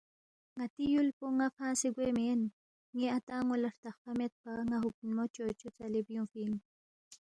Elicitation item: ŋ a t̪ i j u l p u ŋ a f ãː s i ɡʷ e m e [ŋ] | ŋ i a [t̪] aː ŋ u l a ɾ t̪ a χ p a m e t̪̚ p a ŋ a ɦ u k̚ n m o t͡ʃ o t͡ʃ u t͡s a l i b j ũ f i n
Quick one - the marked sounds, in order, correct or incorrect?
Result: incorrect: n, correct

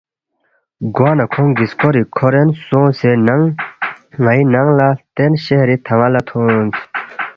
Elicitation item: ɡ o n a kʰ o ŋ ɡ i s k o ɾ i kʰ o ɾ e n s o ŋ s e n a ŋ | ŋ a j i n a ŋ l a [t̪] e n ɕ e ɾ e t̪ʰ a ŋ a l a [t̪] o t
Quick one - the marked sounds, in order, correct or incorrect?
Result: correct, incorrect: t̪ʰ

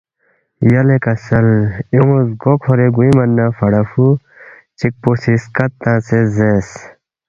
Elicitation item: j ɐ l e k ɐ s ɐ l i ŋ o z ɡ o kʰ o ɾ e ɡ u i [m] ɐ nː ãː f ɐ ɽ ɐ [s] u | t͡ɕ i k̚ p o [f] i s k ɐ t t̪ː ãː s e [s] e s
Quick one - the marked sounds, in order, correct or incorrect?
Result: correct, incorrect: f, incorrect: s, incorrect: z

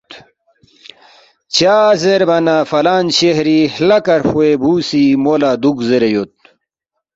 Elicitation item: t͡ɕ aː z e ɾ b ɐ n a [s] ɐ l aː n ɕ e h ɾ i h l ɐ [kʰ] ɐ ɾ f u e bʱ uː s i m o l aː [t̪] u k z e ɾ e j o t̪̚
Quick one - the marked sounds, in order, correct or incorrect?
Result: incorrect: f, incorrect: k, incorrect: d̪

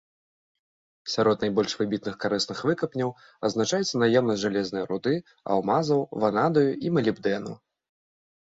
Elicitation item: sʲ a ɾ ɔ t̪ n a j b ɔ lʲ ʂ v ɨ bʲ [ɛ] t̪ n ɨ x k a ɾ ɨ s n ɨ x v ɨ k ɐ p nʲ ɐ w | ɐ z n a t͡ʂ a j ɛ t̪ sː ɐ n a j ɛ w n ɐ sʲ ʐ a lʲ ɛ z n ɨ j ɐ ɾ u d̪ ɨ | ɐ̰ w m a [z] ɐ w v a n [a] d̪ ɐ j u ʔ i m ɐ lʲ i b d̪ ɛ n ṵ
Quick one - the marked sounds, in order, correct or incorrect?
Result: incorrect: i, correct, correct

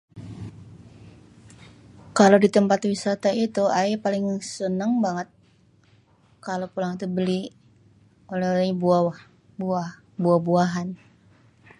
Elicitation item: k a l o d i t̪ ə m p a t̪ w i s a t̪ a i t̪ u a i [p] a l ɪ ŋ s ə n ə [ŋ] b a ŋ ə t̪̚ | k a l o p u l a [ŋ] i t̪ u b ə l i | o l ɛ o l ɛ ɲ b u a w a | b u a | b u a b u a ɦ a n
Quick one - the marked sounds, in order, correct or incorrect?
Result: correct, correct, correct

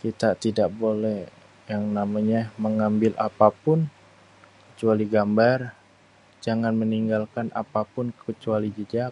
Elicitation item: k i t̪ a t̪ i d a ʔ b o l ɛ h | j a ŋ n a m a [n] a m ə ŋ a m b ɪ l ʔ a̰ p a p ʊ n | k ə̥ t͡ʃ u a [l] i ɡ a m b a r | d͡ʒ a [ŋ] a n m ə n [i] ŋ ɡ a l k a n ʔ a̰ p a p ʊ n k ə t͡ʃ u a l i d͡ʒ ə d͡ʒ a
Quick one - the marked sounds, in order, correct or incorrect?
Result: incorrect: ɲ, correct, correct, correct

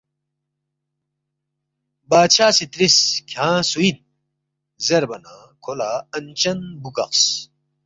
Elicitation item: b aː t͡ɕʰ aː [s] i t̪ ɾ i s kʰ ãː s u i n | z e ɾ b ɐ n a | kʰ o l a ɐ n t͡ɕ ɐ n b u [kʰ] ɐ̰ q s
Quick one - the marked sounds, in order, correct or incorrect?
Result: correct, incorrect: k

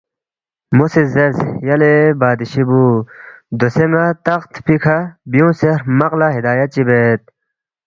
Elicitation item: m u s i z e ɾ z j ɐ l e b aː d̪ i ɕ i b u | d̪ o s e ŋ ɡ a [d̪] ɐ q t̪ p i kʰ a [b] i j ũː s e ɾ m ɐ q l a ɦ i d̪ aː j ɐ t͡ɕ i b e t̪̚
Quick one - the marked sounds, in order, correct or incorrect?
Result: incorrect: t̪, correct

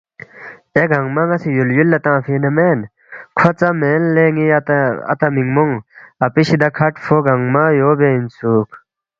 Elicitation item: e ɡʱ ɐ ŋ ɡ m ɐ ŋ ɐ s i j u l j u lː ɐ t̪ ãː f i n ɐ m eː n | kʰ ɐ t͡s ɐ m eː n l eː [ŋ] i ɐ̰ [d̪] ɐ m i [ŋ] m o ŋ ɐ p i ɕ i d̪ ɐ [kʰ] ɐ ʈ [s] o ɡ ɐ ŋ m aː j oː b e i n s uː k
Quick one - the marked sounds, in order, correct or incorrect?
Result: correct, incorrect: t̪, correct, correct, incorrect: f

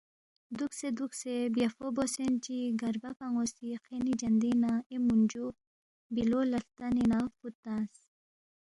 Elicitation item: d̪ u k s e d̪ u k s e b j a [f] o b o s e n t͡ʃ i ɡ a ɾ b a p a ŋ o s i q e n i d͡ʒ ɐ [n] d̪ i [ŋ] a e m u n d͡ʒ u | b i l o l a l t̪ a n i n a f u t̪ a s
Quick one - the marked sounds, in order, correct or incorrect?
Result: correct, correct, incorrect: n

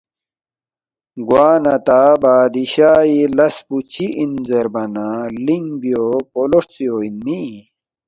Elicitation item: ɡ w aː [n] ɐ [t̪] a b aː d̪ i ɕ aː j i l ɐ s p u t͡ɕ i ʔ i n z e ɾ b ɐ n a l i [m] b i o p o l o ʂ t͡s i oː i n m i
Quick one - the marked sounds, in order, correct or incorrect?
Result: correct, correct, incorrect: ŋ

